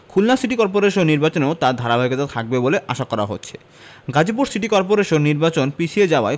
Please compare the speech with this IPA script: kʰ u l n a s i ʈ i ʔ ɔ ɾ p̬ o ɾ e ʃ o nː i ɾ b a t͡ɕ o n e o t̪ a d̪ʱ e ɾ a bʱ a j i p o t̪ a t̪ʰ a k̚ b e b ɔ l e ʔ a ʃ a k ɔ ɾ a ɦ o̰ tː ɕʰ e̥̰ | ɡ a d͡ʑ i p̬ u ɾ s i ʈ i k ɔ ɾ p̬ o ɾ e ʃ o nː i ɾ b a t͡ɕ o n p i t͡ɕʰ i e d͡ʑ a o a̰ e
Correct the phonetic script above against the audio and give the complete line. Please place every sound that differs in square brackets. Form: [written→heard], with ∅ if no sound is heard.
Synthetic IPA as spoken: kʰ u l n a s i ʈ i [ʔ→k] ɔ ɾ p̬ o ɾ e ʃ o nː i ɾ b a t͡ɕ o n e o t̪ a d̪ʱ [e→a] ɾ a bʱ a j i [p→k] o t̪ a t̪ʰ a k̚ b e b [ɔ→o] l e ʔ a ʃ a k ɔ ɾ a ɦ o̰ tː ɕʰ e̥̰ | ɡ a d͡ʑ i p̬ u ɾ s i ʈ i k ɔ ɾ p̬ o ɾ e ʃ o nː i ɾ b a t͡ɕ o n p i t͡ɕʰ i e d͡ʑ a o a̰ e